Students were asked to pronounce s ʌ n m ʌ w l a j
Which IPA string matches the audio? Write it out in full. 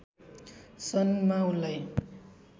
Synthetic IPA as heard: s ʌ n m a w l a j